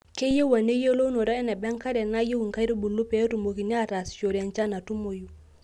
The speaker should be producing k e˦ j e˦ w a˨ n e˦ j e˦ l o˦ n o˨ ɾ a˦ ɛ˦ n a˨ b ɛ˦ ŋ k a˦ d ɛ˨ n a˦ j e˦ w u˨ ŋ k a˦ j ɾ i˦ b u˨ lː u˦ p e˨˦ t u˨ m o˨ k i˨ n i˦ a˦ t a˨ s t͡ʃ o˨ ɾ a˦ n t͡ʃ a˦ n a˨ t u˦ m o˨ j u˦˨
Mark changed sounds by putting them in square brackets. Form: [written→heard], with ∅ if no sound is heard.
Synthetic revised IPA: k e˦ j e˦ w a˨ n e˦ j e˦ l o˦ n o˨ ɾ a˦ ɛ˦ n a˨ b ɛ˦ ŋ k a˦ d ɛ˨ n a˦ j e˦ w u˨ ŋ k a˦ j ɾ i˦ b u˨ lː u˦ p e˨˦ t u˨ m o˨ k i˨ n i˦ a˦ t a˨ s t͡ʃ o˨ ɾ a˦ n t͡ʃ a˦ n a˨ t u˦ m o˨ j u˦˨

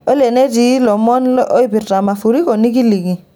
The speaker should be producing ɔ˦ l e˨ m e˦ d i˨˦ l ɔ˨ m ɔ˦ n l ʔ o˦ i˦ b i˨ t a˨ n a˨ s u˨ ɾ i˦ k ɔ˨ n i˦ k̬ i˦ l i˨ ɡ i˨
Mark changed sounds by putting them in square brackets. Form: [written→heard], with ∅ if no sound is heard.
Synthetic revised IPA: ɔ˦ l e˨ [m→n] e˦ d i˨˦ l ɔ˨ m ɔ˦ n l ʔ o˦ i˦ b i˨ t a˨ [n→m] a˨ [s→f] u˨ ɾ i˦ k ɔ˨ n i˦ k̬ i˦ l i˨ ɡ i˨

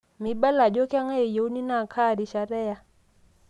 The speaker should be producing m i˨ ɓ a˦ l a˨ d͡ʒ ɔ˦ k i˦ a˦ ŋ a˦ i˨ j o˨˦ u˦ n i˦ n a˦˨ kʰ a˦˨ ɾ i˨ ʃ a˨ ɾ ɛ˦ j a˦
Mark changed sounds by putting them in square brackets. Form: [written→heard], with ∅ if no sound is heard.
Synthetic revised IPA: m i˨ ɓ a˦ l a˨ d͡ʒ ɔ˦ k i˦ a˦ ŋ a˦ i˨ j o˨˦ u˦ n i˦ n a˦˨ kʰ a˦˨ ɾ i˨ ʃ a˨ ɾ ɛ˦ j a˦

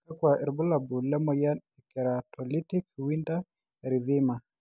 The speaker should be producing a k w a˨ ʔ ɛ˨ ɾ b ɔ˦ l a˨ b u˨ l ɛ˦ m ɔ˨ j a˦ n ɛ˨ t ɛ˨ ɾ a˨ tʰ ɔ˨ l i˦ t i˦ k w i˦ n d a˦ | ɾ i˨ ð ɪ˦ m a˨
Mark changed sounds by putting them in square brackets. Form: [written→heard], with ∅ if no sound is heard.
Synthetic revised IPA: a k w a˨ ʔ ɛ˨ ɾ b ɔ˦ l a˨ b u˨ l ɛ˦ m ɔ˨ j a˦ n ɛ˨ [t→k] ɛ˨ ɾ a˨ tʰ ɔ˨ l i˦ t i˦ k w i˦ n d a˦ | ɾ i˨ ð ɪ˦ m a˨

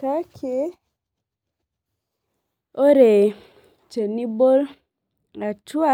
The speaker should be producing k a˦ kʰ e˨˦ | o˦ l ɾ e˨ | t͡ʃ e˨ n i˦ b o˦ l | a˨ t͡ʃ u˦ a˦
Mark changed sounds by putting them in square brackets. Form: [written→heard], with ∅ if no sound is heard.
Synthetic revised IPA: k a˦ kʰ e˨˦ | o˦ [l→∅] ɾ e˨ | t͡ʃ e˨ n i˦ b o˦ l | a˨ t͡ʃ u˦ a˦

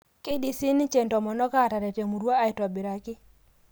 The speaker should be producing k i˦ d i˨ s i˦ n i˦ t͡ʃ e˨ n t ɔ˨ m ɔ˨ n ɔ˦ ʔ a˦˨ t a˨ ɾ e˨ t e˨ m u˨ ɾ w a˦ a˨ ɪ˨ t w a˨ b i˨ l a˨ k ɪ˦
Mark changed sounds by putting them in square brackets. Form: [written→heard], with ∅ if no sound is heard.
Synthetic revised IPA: k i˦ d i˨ s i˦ n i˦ t͡ʃ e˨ n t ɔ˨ m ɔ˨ n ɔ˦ [ʔ→k] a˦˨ t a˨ ɾ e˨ t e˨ m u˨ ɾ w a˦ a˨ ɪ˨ t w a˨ b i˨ [l→ɾ] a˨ k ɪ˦

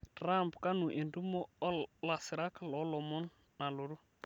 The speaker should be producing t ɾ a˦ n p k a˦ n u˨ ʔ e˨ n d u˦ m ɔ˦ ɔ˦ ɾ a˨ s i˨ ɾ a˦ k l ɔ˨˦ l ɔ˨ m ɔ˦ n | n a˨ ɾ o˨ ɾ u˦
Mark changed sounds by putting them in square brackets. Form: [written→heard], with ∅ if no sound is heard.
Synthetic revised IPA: t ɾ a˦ [n→m] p k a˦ n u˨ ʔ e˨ n d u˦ m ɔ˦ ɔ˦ [ɾ→l] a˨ s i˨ ɾ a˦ k l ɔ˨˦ l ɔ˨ m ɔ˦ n | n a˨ [ɾ→l] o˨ ɾ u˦

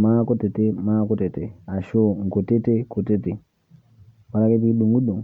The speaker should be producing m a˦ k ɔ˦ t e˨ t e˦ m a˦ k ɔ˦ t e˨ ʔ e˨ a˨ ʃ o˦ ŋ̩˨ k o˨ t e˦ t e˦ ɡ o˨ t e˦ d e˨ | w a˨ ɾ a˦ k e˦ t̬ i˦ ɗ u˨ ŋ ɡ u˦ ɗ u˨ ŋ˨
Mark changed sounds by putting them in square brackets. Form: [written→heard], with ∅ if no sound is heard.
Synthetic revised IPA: m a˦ k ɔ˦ t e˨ t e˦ m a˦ k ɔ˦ t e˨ [ʔ→t] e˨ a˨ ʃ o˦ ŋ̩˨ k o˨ t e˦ t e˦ [ɡ→k] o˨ t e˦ [d→t] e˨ | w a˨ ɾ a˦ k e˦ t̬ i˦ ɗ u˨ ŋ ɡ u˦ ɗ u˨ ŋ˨

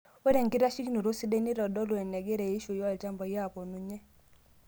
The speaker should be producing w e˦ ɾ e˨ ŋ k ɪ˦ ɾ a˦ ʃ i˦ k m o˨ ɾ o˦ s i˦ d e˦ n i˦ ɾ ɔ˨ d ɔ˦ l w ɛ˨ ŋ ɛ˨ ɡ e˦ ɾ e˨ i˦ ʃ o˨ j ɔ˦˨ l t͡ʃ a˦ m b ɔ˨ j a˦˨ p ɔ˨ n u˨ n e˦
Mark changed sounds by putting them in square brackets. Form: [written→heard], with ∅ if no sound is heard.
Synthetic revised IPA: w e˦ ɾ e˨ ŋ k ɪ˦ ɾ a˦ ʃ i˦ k [m→n] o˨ ɾ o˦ s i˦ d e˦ n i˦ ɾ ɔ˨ d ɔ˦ l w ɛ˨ [ŋ→n] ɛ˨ ɡ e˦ ɾ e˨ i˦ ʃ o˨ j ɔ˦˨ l t͡ʃ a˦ m b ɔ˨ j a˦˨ p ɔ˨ n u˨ [n→ɲ] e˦

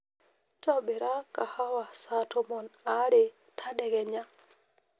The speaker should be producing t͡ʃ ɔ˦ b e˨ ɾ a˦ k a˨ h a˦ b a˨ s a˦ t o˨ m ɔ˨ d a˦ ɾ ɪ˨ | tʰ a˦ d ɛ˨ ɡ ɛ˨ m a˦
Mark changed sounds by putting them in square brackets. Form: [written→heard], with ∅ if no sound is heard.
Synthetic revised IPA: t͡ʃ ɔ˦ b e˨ ɾ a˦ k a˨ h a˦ [b→w] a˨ s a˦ t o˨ m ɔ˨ [d→n] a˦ ɾ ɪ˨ | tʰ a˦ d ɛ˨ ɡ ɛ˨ [m→ɲ] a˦

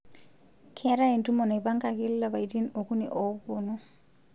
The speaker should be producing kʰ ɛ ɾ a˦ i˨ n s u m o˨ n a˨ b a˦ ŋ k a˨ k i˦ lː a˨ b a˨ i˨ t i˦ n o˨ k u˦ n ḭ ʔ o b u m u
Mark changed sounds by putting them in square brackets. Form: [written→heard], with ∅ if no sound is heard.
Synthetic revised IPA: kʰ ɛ ɾ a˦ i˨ n [s→t] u m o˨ n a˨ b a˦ ŋ k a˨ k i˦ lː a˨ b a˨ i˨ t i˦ n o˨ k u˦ n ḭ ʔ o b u [m→n] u

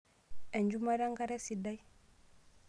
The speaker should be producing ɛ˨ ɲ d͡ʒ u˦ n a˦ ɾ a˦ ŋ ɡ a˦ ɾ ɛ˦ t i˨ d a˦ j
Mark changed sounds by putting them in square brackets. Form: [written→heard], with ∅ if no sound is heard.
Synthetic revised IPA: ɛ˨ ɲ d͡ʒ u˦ [n→m] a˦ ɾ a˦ ŋ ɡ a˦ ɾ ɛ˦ [t→s] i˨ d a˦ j

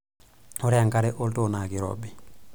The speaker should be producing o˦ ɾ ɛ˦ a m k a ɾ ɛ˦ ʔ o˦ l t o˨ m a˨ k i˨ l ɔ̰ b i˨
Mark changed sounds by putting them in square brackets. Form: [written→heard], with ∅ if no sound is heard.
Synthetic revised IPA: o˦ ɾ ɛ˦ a [m→ŋ] k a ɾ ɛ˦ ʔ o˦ l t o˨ [m→n] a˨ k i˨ [l→ɾ] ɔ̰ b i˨

